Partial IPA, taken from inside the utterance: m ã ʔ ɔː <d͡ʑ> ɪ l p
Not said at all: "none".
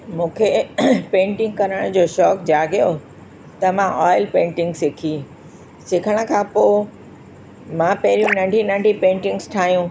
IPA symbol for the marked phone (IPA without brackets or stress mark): none